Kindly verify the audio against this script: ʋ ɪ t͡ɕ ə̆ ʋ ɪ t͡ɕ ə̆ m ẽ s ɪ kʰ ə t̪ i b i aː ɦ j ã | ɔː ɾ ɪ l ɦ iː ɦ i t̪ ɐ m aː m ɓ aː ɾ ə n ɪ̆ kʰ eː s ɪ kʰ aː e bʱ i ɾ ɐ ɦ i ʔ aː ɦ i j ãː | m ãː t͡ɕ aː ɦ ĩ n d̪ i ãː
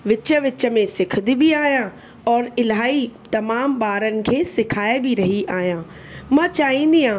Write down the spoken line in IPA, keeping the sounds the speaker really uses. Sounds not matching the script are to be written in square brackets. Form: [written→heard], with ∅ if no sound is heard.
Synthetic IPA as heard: ʋ ɪ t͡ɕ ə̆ ʋ ɪ t͡ɕ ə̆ m ẽ s ɪ kʰ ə [t̪→d̪] i b i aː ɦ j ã | ɔː ɾ ɪ l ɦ [iː→aː] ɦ i t̪ ɐ m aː m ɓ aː ɾ ə n ɪ̆ kʰ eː s ɪ kʰ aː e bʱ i ɾ ɐ ɦ i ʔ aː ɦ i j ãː | m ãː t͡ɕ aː ɦ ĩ n d̪ i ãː

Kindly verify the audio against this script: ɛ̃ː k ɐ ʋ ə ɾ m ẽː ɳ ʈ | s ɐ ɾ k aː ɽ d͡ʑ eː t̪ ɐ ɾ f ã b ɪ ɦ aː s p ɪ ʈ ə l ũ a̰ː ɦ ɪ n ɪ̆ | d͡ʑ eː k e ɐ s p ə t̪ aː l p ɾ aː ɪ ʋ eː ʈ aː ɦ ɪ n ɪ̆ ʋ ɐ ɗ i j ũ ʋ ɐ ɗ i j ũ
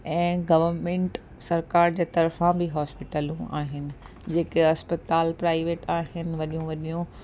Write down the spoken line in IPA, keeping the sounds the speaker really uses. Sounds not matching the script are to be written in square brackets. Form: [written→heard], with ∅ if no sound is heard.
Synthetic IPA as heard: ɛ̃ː [k→ɡ] ɐ ʋ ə ɾ m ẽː ɳ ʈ | s ɐ ɾ k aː [ɽ→ɾ] d͡ʑ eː t̪ ɐ ɾ f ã b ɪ ɦ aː s p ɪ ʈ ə l ũ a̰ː ɦ ɪ n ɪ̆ | d͡ʑ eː k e ɐ s p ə t̪ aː l p ɾ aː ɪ ʋ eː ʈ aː ɦ ɪ n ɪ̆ ʋ ɐ ɗ i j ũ ʋ ɐ ɗ i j ũ

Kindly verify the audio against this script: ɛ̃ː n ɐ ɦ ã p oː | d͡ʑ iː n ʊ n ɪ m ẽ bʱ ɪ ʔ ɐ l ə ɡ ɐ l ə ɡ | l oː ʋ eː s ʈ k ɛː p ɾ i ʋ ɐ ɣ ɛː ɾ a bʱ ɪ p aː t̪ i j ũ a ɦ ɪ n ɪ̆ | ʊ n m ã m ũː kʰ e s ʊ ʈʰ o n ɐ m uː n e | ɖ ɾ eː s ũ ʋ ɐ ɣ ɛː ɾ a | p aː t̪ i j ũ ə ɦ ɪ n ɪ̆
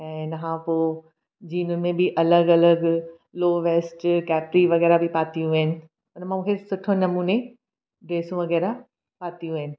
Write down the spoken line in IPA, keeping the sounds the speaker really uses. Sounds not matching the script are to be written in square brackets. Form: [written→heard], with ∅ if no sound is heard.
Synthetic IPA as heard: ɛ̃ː n ɐ ɦ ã p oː | d͡ʑ iː n ʊ n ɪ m ẽ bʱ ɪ ʔ ɐ l ə ɡ ɐ l ə ɡ | l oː ʋ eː s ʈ k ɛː p ɾ i ʋ ɐ ɣ ɛː ɾ a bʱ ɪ p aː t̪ i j ũ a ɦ ɪ n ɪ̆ | ʊ n m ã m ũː kʰ e s ʊ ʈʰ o n ɐ m uː n e | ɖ ɾ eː s ũ ʋ ɐ ɣ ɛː ɾ a | p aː t̪ i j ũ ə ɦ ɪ n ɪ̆

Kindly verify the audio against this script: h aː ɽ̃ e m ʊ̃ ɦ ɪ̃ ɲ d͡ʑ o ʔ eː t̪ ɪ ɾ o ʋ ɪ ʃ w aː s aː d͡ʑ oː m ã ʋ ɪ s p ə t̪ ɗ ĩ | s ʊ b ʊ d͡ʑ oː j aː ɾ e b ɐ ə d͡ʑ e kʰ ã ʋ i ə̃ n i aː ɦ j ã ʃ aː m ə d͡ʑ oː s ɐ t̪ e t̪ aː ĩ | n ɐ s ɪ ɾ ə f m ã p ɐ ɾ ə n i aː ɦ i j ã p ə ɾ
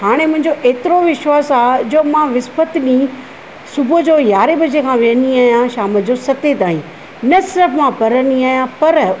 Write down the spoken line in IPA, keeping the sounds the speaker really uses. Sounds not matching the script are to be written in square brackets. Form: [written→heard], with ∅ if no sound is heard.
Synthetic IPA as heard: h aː ɽ̃ e m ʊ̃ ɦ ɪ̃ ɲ d͡ʑ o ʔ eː t̪ ɪ ɾ o ʋ ɪ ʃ w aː s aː d͡ʑ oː m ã ʋ ɪ s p ə t̪ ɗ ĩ | s ʊ b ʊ d͡ʑ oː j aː ɾ e b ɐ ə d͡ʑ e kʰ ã ʋ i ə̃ n i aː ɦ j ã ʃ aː m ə d͡ʑ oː s ɐ t̪ e t̪ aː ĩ | n ɐ s ɪ ɾ ə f m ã p ɐ ɾ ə n i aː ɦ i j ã p [ə→ɐ] ɾ

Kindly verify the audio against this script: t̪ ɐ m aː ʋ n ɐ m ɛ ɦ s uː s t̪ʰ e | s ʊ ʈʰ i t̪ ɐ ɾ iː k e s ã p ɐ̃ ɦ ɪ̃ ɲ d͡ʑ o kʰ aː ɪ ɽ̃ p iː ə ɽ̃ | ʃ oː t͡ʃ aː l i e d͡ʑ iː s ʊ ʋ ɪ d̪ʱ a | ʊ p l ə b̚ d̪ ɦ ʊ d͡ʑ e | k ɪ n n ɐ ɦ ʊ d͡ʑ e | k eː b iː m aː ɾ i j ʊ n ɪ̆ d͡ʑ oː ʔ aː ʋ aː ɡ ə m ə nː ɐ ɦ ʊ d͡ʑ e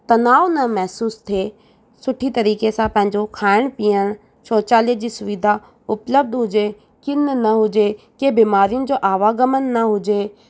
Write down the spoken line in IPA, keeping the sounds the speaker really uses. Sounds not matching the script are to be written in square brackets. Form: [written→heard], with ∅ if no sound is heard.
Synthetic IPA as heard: t̪ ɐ [m→n] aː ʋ n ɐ m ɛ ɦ s uː s t̪ʰ e | s ʊ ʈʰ i t̪ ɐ ɾ iː k e s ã p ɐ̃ ɦ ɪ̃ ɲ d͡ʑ o kʰ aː ɪ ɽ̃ p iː ə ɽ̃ | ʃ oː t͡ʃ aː l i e d͡ʑ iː s ʊ ʋ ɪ d̪ʱ a | ʊ p l ə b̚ d̪ ɦ ʊ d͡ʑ e | k ɪ n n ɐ ɦ ʊ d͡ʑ e | k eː b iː m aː ɾ i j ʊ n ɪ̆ d͡ʑ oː ʔ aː ʋ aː ɡ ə m ə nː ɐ ɦ ʊ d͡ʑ e

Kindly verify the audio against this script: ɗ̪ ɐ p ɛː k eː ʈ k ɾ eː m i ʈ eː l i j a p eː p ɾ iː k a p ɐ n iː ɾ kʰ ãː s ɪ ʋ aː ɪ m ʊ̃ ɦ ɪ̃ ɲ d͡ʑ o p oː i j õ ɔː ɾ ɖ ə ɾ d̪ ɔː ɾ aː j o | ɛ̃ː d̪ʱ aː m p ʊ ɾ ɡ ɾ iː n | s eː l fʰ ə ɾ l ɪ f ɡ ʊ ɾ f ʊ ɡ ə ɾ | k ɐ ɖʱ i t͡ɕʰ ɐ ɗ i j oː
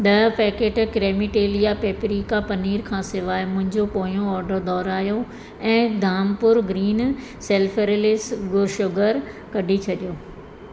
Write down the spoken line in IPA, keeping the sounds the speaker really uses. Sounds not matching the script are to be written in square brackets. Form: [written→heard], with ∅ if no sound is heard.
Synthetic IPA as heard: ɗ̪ ɐ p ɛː k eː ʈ k ɾ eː m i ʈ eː l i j a p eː p ɾ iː k a p ɐ n iː ɾ kʰ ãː s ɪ ʋ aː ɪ m ʊ̃ ɦ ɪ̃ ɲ d͡ʑ o p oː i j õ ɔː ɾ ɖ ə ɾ d̪ ɔː ɾ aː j o | ɛ̃ː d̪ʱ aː m p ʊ ɾ ɡ ɾ iː n | s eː l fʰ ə ɾ l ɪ [f→s] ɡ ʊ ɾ [f→ʃ] ʊ ɡ ə ɾ | k ɐ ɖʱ i t͡ɕʰ ɐ ɗ i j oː

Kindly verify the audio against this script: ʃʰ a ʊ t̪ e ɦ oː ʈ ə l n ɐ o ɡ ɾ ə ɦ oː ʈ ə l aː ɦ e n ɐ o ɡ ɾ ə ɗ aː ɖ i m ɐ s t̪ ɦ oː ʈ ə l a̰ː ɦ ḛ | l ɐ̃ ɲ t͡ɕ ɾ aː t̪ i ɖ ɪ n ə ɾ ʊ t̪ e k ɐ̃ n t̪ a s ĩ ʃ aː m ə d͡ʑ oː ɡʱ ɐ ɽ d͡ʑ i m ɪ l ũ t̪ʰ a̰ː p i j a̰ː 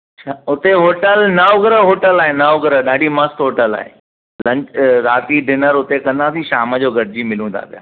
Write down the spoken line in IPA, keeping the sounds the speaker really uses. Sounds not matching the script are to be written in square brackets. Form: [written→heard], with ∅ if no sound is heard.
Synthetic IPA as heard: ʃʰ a ʊ t̪ e ɦ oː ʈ ə l n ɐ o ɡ ɾ ə ɦ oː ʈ ə l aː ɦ e n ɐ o ɡ ɾ ə ɗ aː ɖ i m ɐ s t̪ ɦ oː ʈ ə l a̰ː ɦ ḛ | l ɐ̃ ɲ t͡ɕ ɾ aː t̪ i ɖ ɪ n ə ɾ ʊ t̪ e k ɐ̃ n [t̪→d̪] a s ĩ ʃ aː m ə d͡ʑ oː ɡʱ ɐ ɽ d͡ʑ i m ɪ l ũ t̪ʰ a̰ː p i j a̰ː

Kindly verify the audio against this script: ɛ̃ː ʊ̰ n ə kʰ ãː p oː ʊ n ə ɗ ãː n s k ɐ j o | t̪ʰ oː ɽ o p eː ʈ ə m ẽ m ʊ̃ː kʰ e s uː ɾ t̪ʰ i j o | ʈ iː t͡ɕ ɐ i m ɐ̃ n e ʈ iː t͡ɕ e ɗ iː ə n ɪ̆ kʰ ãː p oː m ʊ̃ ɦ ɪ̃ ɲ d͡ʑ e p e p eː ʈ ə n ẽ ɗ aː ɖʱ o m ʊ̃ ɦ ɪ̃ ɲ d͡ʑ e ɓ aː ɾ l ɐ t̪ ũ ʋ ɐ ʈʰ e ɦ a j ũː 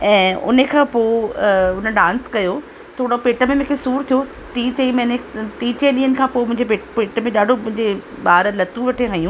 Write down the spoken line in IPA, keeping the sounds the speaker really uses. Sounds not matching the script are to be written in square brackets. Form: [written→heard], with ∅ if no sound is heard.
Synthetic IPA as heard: ɛ̃ː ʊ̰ n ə kʰ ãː p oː ʊ n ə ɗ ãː n s k ɐ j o | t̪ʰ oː ɽ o p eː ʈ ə m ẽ m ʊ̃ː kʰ e s uː ɾ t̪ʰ i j o | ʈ iː t͡ɕ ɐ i m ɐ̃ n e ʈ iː t͡ɕ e ɗ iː ə n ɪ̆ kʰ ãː p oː m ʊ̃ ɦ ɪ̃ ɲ d͡ʑ e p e p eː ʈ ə [n→m] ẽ ɗ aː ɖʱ o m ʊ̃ ɦ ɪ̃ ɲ d͡ʑ e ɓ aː ɾ l ɐ t̪ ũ ʋ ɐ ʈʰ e ɦ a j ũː

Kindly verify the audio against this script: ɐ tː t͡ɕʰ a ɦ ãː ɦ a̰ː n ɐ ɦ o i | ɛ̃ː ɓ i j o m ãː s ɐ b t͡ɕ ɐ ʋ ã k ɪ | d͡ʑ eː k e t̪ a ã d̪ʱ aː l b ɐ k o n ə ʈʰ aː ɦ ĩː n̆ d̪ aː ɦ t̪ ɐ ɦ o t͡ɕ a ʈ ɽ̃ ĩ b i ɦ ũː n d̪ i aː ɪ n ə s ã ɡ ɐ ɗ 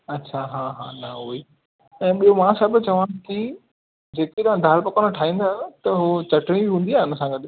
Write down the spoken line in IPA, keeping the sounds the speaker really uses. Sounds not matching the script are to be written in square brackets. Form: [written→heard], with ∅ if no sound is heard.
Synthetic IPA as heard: ɐ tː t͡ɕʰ a ɦ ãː ɦ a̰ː n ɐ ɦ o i | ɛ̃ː ɓ i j o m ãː s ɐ b t͡ɕ ɐ ʋ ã k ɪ | d͡ʑ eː k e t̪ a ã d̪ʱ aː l [b→p] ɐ k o n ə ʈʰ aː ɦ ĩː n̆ d̪ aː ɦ t̪ ɐ ɦ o t͡ɕ [a→ɐ] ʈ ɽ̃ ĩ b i ɦ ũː n d̪ i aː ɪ n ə s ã ɡ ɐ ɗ

